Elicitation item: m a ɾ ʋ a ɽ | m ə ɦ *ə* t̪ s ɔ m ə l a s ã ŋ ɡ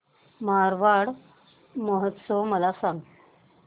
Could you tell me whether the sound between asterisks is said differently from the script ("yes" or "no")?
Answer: no